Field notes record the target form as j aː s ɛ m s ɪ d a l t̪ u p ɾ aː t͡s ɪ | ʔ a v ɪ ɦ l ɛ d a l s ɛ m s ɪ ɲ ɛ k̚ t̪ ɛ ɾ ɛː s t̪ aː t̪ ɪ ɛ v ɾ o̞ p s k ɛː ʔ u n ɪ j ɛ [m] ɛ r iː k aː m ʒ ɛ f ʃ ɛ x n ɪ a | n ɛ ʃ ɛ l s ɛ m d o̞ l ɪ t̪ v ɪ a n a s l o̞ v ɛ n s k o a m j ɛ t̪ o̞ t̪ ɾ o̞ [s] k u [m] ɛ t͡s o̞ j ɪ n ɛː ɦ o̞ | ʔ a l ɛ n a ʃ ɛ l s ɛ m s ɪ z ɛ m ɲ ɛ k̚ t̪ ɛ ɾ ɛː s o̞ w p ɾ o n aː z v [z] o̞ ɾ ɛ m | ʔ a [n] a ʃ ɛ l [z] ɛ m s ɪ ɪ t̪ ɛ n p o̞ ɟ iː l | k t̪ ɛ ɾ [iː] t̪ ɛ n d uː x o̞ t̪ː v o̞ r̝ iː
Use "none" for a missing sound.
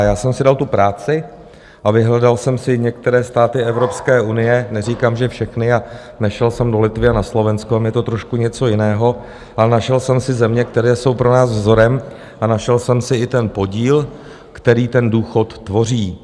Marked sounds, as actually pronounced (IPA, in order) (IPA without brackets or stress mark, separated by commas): n, ʃ, ɲ, z, n, s, iː